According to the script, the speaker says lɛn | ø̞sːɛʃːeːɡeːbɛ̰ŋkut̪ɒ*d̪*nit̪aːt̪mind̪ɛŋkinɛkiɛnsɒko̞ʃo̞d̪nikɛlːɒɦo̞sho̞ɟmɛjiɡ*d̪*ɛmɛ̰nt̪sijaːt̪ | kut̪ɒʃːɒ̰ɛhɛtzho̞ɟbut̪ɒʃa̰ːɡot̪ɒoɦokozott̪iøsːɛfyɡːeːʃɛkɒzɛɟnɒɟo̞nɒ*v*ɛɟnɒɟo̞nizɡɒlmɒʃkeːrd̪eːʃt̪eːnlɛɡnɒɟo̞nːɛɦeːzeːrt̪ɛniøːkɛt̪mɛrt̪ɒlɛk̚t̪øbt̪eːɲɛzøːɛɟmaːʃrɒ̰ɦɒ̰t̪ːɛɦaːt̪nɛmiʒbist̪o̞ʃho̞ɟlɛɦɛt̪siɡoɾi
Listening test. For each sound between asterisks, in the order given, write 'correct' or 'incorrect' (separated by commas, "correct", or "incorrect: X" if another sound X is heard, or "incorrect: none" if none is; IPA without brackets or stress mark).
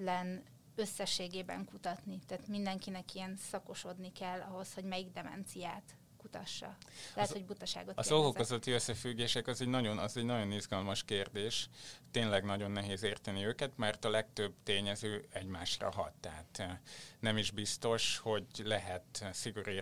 incorrect: t̪, correct, incorrect: z